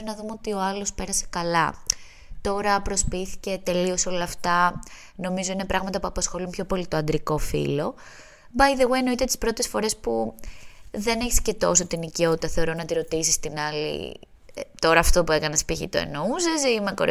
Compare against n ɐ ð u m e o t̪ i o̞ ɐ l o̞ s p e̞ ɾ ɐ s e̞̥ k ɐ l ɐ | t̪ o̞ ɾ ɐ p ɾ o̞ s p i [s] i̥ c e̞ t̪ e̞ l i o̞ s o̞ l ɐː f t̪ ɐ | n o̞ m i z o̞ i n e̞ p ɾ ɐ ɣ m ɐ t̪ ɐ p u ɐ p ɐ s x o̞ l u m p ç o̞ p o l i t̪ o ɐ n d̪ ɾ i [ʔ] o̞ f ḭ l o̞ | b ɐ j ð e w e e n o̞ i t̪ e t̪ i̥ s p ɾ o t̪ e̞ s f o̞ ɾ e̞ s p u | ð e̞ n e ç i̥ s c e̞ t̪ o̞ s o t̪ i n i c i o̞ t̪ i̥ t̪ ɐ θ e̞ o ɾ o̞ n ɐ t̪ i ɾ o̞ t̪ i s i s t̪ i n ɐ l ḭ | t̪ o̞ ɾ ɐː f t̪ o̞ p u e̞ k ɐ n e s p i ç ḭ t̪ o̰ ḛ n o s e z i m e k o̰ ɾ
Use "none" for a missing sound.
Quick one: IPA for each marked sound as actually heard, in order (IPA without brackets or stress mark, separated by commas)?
θ, k